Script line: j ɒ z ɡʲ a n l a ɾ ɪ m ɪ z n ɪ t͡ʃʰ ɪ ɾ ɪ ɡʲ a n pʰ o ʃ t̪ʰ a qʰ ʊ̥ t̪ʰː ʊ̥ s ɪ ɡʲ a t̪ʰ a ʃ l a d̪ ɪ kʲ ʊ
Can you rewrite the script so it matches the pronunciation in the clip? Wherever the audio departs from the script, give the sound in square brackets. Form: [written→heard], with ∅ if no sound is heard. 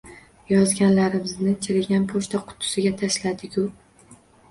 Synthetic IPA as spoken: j ɒ z ɡʲ a n l a ɾ ɪ m ɪ z n ɪ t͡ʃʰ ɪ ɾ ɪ ɡʲ a n pʰ o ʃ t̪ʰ a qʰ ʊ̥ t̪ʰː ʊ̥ s ɪ ɡʲ a t̪ʰ a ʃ l a d̪ ɪ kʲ ʊ